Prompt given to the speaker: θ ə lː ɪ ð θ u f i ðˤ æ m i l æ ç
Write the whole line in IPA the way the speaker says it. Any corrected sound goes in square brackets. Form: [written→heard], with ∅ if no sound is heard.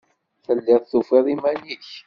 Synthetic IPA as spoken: θ ə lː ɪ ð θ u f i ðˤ [æ→i] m [i→æ] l [æ→i] ç